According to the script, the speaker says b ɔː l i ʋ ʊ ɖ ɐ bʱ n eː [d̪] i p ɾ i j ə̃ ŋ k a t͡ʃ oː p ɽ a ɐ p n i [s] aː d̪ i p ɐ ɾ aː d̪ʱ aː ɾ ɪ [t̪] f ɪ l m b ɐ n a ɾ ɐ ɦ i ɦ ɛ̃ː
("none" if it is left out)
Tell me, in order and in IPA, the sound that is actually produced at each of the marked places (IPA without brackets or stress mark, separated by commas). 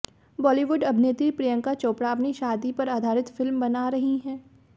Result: t̪, ʃ, t̪